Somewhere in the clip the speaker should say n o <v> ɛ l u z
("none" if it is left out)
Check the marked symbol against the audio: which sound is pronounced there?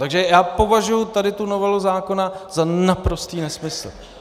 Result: v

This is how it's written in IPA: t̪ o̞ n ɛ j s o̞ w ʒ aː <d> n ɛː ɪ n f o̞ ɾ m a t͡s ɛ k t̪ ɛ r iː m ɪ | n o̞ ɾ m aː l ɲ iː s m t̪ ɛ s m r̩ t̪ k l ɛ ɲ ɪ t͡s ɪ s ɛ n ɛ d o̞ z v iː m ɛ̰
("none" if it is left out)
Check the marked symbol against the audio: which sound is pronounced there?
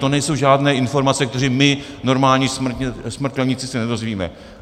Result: d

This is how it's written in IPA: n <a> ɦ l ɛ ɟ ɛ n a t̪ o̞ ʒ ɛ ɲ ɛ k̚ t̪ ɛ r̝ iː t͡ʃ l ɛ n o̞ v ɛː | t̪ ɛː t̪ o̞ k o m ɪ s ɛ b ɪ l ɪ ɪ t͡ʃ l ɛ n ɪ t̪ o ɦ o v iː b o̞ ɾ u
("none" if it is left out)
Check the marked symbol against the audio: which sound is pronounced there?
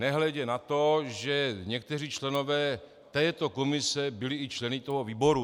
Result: ɛ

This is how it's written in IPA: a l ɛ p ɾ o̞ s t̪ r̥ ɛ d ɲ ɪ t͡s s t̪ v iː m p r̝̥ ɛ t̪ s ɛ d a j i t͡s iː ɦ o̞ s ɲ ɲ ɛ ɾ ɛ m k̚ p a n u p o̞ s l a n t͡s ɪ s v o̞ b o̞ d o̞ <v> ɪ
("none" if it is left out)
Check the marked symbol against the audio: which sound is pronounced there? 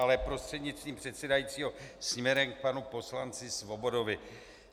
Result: v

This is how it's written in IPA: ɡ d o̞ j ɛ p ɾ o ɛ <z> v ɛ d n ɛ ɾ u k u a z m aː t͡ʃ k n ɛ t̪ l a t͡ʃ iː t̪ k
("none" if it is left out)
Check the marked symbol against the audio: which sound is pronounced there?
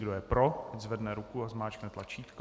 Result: z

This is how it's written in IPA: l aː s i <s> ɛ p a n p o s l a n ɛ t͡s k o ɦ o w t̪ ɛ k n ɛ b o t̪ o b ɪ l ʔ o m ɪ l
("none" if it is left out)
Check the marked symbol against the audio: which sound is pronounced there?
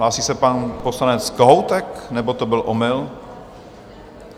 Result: s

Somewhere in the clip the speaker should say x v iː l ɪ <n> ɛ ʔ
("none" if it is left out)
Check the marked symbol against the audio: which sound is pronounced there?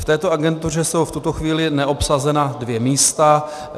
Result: n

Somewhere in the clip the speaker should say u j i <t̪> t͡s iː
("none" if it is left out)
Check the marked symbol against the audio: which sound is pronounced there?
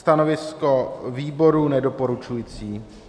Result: none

